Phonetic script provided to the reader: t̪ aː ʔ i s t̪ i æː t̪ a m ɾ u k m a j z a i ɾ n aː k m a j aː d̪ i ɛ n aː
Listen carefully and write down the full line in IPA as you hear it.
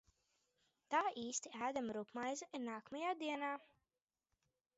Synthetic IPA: t̪ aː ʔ iː s t̪ i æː d̪ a m ɾ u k m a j z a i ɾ n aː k m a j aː d̪ i ɛ n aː